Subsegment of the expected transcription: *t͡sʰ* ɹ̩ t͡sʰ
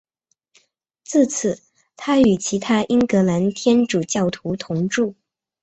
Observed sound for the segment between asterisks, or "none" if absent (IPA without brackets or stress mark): t͡s